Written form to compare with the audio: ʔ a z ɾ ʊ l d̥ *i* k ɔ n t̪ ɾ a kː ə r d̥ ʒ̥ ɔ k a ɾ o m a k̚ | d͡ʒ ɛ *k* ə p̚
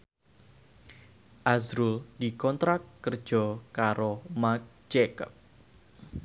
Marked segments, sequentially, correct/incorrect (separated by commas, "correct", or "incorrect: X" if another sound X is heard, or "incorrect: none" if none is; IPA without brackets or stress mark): correct, correct